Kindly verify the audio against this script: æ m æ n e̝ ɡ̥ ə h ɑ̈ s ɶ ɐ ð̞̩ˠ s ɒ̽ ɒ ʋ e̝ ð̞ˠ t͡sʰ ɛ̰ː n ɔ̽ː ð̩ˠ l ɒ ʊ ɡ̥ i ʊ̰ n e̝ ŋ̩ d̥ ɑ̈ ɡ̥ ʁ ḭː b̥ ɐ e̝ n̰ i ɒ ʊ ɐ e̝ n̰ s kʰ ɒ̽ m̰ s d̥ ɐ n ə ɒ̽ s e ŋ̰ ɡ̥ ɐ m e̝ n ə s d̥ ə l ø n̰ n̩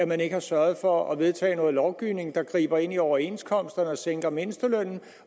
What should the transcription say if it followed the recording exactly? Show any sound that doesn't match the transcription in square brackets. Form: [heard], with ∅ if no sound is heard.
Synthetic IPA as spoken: æ m æ n e̝ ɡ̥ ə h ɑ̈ s ɶ ɐ ð̞̩ˠ [f] ɒ̽ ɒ ʋ e̝ ð̞ˠ t͡sʰ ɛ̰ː n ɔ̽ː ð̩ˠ l ɒ ʊ ɡ̥ i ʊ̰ n e̝ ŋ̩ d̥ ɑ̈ ɡ̥ ʁ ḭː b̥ ɐ e̝ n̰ i ɒ ʊ ɐ e̝ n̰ s kʰ ɒ̽ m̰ s d̥ ɐ n ə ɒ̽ s e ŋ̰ ɡ̥ ɐ m e̝ n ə s d̥ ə l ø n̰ n̩